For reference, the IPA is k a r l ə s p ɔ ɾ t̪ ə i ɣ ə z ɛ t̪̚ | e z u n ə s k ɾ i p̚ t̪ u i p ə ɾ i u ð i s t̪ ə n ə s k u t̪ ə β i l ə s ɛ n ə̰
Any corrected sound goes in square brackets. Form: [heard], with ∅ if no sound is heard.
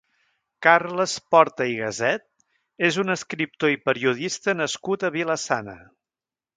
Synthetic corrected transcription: k a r l ə s p ɔ ɾ t̪ ə i ɣ ə z ɛ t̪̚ | e z u n ə s k ɾ i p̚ t̪ [o] i p ə ɾ i u ð i s t̪ ə n ə s k u t̪ ə β i l ə s [a] n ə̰